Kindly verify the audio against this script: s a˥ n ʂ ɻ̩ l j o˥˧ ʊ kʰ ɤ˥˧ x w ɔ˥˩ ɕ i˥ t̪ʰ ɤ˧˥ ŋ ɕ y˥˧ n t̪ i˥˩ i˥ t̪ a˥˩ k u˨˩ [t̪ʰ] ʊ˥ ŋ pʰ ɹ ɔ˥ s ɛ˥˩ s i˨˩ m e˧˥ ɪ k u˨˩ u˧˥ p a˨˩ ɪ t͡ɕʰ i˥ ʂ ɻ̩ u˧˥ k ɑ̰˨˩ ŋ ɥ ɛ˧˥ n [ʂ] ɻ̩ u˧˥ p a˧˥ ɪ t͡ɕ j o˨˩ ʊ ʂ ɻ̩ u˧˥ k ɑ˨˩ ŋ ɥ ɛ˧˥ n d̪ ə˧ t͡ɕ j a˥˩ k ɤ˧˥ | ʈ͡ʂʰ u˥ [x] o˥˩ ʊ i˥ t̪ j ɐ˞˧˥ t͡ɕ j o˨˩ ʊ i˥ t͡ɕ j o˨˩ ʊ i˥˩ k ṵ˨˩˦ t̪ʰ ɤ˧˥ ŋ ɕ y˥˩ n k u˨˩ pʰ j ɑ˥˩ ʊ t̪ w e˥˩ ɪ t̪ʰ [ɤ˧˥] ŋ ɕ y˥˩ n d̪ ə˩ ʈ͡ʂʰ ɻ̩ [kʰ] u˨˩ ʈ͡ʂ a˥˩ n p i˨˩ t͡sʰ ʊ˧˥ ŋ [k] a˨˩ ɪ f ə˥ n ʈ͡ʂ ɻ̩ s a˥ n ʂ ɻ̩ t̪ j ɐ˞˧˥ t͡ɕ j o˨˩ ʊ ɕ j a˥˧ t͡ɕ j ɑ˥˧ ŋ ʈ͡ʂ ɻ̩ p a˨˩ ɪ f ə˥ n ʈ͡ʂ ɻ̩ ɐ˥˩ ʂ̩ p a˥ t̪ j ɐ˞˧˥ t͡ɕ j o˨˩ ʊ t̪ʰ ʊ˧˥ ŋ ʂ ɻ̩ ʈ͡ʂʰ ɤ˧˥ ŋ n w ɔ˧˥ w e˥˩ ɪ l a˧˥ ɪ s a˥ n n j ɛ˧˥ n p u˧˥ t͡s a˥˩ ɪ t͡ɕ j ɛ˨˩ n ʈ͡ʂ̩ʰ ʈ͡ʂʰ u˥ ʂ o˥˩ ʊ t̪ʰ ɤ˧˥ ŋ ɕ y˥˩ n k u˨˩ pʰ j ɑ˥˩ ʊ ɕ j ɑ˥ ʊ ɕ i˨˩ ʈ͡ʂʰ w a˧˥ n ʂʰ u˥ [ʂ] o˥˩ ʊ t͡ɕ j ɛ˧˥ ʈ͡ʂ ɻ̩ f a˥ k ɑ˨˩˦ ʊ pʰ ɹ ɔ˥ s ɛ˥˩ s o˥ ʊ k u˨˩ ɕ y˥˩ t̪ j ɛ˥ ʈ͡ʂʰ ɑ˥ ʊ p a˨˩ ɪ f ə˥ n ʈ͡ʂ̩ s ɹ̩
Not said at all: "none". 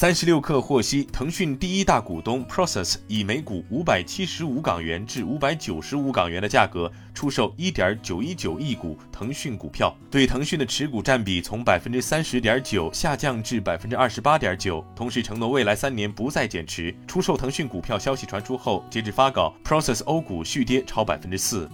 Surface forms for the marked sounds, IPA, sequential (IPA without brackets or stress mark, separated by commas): t̪, ʈ͡ʂ, ʂ, ɤ˧˥, k, p, x